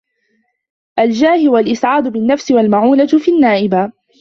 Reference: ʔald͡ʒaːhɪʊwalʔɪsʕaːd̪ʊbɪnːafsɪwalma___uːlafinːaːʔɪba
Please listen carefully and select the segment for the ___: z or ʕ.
ʕ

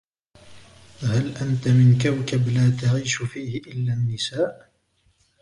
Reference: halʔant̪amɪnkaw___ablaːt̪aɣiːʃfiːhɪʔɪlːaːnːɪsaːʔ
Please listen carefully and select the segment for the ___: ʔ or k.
k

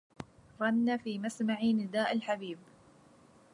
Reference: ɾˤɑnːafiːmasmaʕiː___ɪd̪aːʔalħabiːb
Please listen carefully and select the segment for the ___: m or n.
n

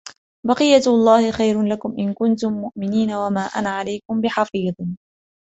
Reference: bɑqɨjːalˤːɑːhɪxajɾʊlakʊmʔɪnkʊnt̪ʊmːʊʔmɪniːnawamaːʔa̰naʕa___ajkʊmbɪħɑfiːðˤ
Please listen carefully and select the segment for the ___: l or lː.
l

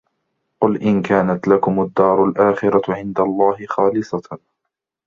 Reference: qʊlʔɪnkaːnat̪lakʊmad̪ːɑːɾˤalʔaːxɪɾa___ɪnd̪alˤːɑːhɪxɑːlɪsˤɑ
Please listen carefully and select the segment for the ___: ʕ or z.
ʕ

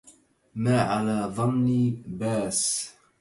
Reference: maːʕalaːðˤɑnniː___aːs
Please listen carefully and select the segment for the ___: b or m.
b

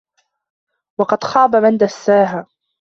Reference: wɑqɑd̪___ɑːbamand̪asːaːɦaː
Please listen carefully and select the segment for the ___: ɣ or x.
x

